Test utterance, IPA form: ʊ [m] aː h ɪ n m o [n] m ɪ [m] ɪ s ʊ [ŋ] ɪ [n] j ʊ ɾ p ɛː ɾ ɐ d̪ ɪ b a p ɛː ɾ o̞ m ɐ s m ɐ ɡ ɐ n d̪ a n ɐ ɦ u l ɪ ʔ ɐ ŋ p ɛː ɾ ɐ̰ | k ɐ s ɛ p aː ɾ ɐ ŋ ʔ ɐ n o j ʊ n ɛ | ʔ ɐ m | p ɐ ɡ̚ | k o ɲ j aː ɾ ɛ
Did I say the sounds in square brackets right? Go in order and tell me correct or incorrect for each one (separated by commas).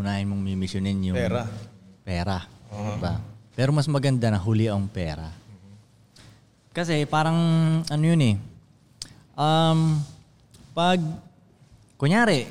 incorrect, incorrect, correct, incorrect, correct